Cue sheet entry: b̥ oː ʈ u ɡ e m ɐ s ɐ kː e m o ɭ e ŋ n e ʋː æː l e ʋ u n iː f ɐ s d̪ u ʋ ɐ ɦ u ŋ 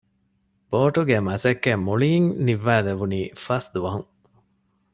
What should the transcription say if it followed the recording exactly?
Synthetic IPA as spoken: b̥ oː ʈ u ɡ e m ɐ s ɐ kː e m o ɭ i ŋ n i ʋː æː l e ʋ u n iː f ɐ s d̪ u ʋ ɐ ɦ u ŋ